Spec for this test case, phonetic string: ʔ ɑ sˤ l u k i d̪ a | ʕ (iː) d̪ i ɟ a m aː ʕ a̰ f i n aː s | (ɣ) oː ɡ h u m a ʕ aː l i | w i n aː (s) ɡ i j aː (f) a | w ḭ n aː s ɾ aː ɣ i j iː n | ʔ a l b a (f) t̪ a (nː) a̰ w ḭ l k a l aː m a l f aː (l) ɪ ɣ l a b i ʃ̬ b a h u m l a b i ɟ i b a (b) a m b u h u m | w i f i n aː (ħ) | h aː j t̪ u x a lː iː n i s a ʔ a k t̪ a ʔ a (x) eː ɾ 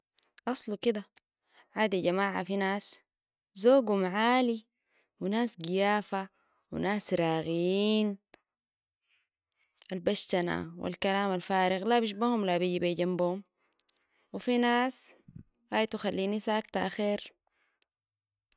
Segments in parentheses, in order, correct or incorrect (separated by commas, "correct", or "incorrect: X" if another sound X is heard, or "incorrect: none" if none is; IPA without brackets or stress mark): incorrect: aː, incorrect: z, correct, correct, incorrect: ʃ, incorrect: n, incorrect: ɾ, incorrect: ɟ, incorrect: s, correct